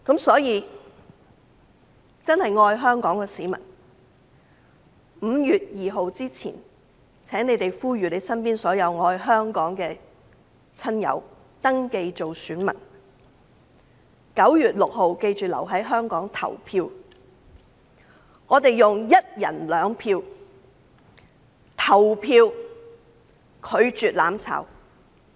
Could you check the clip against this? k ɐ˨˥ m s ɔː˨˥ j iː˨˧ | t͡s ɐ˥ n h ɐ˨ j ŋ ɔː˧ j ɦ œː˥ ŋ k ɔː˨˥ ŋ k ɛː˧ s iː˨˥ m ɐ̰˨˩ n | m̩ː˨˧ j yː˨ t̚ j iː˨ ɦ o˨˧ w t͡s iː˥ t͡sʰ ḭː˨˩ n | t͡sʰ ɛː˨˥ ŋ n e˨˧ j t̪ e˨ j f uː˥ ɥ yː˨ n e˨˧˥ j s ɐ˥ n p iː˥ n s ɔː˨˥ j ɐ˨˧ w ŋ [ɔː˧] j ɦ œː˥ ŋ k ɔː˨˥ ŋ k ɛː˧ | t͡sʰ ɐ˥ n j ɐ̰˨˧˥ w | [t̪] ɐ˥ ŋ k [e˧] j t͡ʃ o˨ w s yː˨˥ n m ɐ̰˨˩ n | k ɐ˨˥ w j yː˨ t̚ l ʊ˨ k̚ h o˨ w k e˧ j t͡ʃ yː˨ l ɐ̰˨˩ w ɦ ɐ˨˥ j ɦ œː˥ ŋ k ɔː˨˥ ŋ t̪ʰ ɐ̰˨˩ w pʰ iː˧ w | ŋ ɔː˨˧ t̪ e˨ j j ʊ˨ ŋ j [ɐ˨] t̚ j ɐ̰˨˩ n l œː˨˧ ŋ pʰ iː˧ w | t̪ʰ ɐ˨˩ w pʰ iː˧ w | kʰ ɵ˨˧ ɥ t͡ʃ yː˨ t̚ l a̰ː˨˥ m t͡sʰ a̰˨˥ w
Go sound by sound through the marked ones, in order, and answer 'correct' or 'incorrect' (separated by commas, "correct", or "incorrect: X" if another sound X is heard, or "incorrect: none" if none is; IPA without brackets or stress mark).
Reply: correct, correct, correct, incorrect: ɐ˥